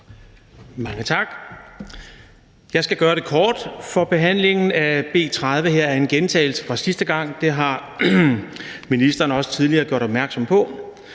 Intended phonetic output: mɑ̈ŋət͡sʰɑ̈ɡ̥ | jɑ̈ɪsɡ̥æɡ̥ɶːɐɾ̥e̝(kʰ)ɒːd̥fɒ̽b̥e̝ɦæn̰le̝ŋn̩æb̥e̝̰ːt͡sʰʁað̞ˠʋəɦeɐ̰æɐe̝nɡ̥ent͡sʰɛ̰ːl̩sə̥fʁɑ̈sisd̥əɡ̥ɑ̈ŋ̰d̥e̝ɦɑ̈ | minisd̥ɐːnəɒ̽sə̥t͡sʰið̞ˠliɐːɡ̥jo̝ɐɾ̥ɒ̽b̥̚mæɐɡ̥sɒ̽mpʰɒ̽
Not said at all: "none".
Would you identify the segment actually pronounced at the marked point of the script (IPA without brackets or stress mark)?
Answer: kʰ